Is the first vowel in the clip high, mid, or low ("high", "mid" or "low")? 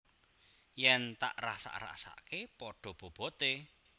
mid